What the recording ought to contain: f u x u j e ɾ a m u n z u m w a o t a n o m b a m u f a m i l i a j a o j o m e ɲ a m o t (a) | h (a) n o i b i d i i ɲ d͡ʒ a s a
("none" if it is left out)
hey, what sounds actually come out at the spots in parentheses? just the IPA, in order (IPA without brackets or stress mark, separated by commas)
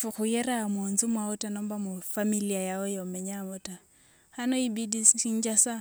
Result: a, a